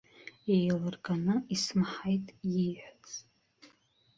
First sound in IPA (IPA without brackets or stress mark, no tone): e